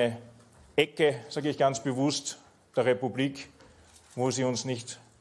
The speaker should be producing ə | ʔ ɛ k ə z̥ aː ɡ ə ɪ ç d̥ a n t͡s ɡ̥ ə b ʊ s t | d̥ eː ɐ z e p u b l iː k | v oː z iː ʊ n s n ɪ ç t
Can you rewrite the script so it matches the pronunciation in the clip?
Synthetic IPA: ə | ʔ ɛ k ə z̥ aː ɡ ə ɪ ç ɡ̥ a n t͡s b̥ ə v ʊ s t | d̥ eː ɐ ʁ e p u b l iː k | v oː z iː ʊ n s n ɪ ç t